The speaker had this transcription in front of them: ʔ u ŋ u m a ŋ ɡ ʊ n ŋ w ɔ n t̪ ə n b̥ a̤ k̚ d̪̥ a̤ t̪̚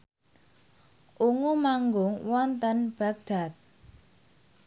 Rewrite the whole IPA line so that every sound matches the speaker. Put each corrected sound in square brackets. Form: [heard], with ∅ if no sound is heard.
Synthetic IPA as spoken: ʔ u ŋ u m a ŋ ɡ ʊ [∅] ŋ w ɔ n t̪ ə n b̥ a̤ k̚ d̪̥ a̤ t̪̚